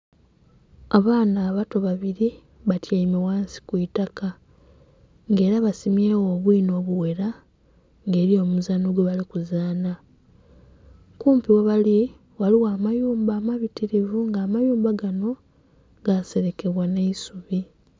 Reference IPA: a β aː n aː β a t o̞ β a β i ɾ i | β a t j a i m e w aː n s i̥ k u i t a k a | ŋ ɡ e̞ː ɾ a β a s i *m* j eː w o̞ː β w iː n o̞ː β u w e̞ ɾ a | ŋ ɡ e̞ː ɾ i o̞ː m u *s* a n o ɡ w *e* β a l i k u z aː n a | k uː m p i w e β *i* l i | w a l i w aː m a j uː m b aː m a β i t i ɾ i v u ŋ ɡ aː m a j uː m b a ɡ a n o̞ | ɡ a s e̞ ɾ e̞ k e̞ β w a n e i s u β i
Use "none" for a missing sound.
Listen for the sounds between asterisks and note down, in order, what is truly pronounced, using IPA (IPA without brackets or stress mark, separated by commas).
m, z, e, a